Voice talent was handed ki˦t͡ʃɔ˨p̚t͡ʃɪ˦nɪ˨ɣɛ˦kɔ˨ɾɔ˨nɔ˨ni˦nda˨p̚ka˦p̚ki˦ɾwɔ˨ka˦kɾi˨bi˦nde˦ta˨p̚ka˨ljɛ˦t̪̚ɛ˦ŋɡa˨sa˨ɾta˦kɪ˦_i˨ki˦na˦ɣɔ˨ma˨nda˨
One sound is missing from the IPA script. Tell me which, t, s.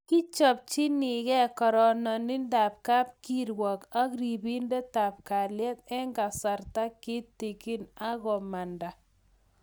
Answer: t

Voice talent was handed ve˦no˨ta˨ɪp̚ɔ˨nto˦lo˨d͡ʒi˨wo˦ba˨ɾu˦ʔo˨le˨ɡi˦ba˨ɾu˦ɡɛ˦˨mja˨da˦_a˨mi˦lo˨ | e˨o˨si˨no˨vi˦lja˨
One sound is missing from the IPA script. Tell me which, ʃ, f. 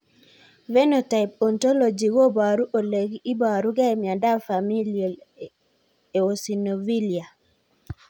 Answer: f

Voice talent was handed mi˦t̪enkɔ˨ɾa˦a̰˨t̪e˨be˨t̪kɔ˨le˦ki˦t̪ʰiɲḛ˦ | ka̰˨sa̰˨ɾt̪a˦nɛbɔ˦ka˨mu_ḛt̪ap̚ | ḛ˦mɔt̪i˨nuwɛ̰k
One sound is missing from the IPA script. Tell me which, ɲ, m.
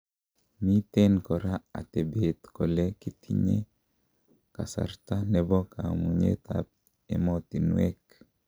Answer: ɲ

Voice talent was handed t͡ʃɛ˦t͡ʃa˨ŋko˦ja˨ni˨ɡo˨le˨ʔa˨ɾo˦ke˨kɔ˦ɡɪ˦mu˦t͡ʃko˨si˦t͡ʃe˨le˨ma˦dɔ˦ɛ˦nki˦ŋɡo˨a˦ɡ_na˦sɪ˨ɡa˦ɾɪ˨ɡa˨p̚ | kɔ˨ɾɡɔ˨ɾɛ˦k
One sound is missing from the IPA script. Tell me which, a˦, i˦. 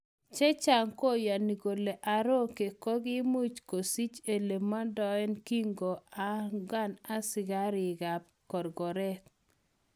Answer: a˦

